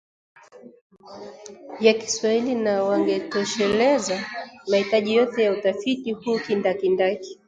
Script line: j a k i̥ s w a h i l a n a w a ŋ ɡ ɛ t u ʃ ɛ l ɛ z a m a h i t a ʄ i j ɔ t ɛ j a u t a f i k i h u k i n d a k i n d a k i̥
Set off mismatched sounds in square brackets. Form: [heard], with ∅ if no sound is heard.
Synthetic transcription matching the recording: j a k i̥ s w a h i l [i] n a w a ŋ ɡ ɛ t [ɔ] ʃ ɛ l ɛ z a m a h i t a ʄ i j ɔ t ɛ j a u t a f i [t] i h u k i n d a k i n d a k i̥